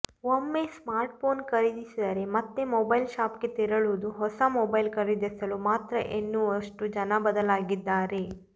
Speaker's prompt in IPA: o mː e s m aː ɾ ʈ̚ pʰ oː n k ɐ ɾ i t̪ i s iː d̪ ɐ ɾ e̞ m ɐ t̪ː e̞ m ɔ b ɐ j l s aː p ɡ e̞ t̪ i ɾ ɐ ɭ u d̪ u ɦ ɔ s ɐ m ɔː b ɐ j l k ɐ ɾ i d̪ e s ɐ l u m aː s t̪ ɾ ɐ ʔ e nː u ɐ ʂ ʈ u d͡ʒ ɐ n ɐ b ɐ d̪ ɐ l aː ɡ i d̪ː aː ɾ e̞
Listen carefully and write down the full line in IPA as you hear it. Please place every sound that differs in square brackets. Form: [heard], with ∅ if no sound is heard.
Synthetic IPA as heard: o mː e s m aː ɾ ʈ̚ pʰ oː n k ɐ ɾ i [d̪] i s [i] d̪ ɐ ɾ e̞ m ɐ t̪ː e̞ m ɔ b ɐ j l [ʃ] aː p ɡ e̞ t̪ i ɾ ɐ ɭ u d̪ u ɦ ɔ s ɐ m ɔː b ɐ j l k ɐ ɾ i d̪ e s ɐ l u m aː [∅] t̪ ɾ ɐ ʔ e nː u ɐ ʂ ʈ u d͡ʒ ɐ n ɐ b ɐ d̪ ɐ l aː ɡ i d̪ː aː ɾ e̞